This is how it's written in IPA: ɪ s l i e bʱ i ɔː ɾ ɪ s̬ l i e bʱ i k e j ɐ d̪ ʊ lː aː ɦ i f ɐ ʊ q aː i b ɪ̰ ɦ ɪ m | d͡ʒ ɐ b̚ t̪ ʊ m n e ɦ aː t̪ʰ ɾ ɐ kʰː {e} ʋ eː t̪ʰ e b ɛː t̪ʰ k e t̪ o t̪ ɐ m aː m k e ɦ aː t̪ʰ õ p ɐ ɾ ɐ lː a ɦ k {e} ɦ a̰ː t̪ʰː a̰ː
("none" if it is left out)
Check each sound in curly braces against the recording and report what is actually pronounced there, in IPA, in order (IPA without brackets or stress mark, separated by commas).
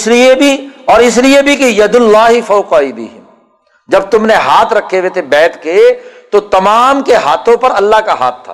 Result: e, a